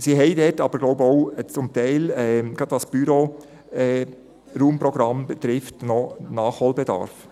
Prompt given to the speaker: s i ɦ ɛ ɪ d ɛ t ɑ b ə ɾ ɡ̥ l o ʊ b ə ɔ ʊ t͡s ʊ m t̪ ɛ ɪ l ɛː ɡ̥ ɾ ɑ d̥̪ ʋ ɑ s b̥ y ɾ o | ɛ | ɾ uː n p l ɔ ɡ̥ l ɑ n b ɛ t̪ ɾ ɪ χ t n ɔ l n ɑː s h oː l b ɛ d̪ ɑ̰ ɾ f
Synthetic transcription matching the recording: s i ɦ ɛ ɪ d ɛ t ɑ b ə ɾ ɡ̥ l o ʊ b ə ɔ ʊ t͡s ʊ m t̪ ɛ ɪ l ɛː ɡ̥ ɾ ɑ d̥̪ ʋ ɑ s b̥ y ɾ o | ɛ | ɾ uː m p ɾ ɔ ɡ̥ ɾ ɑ m b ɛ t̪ ɾ ɪ f t n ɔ n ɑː χ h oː l b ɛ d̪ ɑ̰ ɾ f